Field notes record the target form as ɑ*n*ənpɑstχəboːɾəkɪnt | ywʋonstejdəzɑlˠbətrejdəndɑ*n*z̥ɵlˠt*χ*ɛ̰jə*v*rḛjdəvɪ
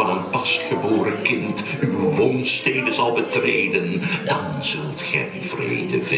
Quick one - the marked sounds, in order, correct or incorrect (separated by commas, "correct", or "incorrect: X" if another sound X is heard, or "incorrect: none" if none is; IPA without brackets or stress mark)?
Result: correct, correct, correct, correct